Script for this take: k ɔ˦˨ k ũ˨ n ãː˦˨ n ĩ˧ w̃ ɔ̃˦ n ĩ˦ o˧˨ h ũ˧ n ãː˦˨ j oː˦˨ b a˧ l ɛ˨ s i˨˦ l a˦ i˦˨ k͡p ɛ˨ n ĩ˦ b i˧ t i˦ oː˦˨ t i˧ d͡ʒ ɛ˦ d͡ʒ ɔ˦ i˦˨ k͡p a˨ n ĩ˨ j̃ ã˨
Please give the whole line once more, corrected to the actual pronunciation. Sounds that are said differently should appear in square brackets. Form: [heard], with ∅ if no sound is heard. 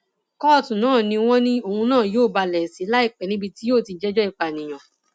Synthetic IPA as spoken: k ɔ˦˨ [t] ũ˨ n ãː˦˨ n ĩ˧ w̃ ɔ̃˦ n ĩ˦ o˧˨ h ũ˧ n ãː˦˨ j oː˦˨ b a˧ l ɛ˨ s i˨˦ l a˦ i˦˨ k͡p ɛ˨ n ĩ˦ b i˧ t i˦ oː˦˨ t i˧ d͡ʒ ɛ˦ d͡ʒ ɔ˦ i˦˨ k͡p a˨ n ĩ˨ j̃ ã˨